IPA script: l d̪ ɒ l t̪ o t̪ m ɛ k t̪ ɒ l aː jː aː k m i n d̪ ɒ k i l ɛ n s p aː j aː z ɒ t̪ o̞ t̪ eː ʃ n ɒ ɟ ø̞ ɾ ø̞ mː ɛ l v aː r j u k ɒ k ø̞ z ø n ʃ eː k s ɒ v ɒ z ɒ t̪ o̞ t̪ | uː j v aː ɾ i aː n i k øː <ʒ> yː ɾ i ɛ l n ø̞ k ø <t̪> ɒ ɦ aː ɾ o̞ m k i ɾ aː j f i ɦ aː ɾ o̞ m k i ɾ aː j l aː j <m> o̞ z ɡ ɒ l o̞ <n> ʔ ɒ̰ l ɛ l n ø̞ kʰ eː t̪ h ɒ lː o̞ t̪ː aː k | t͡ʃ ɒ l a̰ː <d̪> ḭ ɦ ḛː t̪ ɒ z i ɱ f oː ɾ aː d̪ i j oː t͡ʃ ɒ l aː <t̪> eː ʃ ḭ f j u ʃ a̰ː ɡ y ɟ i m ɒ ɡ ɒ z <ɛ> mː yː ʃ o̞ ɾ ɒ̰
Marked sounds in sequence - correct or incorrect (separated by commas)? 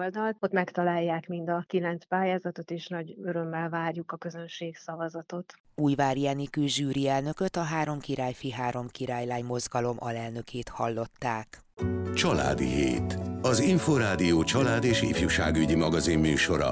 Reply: correct, correct, correct, incorrect, correct, incorrect, incorrect